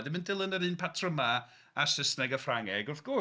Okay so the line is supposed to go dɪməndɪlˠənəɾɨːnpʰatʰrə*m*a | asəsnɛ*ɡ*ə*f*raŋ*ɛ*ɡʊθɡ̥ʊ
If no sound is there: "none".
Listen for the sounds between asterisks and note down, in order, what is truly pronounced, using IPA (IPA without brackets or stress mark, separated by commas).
m, ɡ, f, ɛ